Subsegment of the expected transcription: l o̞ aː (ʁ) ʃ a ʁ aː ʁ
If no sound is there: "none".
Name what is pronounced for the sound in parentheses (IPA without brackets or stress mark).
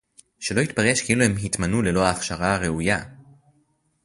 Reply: χ